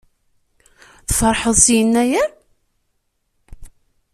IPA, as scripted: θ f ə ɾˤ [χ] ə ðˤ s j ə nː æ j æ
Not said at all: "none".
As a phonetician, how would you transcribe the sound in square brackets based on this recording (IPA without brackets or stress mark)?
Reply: ħ